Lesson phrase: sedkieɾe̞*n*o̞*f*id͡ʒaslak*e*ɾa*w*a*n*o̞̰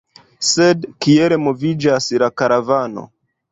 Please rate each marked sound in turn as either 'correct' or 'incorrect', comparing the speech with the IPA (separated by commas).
incorrect, incorrect, incorrect, incorrect, correct